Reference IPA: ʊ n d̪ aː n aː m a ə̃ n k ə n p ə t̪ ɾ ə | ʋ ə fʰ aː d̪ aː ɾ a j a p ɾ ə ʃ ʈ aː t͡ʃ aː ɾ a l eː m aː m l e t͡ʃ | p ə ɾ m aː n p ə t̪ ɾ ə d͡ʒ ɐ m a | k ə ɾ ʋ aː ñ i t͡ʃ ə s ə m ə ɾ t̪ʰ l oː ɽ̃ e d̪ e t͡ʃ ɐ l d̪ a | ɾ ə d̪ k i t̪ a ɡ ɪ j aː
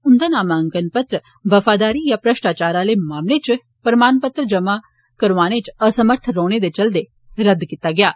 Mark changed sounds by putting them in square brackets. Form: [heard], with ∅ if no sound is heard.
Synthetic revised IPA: ʊ n d̪ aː n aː m a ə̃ [ŋ] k ə n p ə t̪ ɾ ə | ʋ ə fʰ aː d̪ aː ɾ [i] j a p ɾ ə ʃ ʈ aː t͡ʃ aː ɾ a l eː m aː m l e t͡ʃ | p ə ɾ m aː n p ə t̪ ɾ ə d͡ʒ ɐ m a | k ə ɾ ʋ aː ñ [e] t͡ʃ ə s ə m ə ɾ t̪ʰ [ɾ] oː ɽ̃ e d̪ e t͡ʃ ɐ l d̪ [e] | ɾ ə d̪ k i t̪ a ɡ ɪ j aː